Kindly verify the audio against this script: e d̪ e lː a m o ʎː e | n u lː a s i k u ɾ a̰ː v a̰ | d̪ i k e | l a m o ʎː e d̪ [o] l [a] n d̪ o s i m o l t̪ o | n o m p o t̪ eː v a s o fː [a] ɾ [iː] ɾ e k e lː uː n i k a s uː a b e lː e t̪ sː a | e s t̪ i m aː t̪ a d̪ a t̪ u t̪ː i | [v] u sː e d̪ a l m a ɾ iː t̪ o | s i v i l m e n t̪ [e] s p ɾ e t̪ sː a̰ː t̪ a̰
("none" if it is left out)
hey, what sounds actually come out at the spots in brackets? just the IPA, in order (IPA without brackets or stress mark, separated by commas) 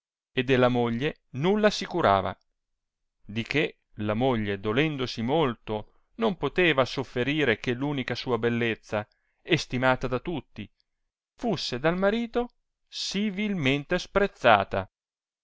o, ɛ, e, iː, f, e